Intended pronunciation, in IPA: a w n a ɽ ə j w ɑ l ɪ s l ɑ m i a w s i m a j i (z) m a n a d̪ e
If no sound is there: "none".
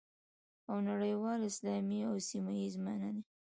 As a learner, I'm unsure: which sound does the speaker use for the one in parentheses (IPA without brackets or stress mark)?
z